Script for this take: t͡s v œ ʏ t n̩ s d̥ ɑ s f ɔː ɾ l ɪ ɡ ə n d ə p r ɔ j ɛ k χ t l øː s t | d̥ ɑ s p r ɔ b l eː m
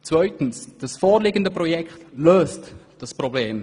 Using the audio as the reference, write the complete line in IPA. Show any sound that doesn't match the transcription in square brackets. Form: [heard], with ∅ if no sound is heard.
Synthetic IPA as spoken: t͡s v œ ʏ t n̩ s d̥ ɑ s f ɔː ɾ l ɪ ɡ ə n d ə p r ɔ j ɛ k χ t l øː s t | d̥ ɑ s p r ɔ b l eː m